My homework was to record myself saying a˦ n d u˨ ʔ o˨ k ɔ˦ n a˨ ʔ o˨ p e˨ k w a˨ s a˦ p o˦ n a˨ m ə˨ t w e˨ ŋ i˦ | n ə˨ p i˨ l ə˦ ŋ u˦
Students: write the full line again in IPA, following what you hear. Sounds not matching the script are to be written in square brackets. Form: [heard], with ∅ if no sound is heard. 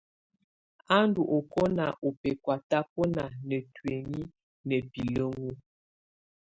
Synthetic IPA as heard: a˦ n d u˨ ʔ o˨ k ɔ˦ n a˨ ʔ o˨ p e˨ k w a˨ [t] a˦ p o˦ n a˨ [n] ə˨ t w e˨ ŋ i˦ | n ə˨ p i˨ l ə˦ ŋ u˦